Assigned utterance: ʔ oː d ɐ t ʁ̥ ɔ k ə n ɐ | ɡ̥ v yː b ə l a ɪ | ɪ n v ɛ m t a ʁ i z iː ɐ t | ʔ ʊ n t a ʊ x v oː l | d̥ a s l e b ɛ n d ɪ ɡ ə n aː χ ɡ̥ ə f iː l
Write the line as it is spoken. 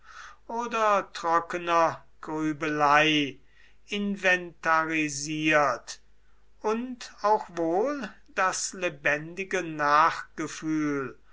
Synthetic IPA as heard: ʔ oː d ɐ t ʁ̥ ɔ k ə n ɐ | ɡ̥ ʁ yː b ə l a ɪ | ɪ n v ɛ n t a ʁ i z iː ɐ t | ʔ ʊ n t a ʊ x v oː l | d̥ a s l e b ɛ n d ɪ ɡ ə n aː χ ɡ̥ ə f yː l